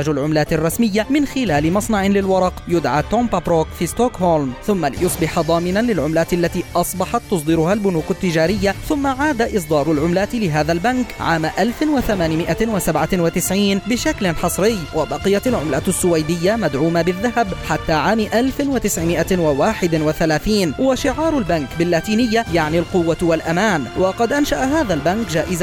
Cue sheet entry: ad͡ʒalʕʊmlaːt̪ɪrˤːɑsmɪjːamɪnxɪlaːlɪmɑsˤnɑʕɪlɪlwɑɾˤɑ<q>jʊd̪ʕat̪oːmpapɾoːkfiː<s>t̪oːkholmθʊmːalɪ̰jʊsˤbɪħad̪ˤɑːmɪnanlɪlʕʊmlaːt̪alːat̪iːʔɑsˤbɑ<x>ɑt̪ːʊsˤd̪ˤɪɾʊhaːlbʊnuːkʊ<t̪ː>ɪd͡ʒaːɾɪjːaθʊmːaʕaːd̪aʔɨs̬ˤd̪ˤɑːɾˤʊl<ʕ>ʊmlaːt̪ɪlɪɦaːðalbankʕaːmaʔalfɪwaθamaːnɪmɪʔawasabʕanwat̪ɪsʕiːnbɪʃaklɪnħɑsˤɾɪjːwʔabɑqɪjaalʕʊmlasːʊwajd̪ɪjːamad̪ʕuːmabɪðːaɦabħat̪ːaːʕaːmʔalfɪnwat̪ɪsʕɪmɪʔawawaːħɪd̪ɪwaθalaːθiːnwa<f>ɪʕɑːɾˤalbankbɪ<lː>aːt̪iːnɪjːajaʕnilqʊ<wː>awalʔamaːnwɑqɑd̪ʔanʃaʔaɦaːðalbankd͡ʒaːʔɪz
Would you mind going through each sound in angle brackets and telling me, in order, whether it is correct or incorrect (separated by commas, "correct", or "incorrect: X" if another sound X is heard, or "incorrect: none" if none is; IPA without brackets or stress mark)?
correct, correct, incorrect: ħ, correct, correct, incorrect: ʃ, correct, correct